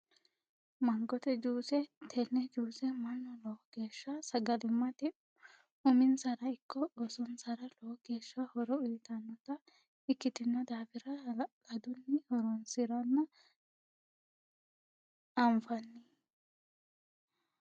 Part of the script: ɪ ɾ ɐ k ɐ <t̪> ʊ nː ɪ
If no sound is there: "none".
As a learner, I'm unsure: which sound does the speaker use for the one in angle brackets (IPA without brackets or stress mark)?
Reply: d̪